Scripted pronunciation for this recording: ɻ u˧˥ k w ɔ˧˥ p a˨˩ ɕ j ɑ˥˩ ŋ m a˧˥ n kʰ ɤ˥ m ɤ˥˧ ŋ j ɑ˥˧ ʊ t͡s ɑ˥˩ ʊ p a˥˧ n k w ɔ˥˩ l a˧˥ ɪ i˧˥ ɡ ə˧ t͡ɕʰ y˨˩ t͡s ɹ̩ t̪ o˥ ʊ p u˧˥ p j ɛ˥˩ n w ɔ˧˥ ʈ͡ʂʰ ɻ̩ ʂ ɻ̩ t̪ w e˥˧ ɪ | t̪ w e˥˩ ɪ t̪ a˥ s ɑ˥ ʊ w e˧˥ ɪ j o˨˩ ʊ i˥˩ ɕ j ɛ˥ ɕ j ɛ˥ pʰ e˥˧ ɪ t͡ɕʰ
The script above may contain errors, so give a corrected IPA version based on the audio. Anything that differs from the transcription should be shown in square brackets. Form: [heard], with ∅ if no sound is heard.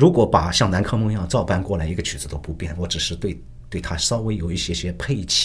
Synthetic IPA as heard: ɻ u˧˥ k w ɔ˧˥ p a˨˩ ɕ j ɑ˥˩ ŋ [n] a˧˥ n kʰ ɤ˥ m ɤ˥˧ ŋ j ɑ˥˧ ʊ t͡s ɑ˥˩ ʊ p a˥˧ n k w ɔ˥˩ l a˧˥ ɪ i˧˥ ɡ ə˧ t͡ɕʰ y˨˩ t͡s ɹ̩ t̪ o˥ ʊ p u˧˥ p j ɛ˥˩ n w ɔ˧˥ [ʈ͡ʂ] ɻ̩ ʂ ɻ̩ t̪ w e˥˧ ɪ | t̪ w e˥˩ ɪ [t̪ʰ] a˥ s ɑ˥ ʊ w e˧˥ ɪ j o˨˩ ʊ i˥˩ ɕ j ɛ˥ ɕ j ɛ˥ pʰ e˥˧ ɪ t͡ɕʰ